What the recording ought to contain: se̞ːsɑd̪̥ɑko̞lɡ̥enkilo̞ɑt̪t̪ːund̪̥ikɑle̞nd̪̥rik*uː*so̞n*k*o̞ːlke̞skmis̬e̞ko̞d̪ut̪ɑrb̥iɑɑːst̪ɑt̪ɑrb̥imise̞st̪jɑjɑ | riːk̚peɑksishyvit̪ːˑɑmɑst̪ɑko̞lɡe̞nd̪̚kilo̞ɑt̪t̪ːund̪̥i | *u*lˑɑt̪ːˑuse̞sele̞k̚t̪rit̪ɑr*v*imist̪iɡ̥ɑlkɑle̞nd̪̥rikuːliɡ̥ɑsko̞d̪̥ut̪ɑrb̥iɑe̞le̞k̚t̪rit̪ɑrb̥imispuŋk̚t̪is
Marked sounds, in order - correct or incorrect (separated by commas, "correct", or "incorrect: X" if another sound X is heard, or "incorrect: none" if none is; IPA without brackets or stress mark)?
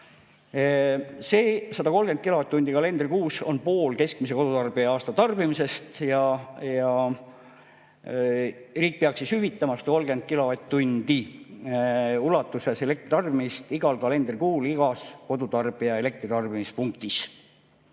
correct, incorrect: p, correct, incorrect: b